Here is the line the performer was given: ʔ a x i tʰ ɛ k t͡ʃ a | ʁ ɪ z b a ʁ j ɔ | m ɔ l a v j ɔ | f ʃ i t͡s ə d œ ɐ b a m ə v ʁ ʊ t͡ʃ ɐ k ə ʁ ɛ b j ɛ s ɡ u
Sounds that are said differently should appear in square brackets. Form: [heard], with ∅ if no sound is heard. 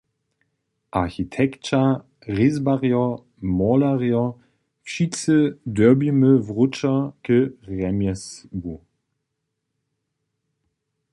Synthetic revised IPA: ʔ a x i tʰ ɛ k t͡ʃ a | ʁ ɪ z b a ʁ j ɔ | m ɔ l a [ʁ] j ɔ | f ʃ i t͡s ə d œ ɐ b [i] m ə v ʁ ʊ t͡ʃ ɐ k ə ʁ ɛ [m] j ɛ s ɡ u